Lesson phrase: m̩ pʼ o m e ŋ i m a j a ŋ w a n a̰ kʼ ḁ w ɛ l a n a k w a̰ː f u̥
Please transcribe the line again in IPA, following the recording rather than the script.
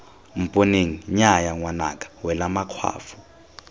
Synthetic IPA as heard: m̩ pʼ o n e ŋ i ɲ a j a ŋ w a n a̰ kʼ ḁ w ɛ l a m a kʰ w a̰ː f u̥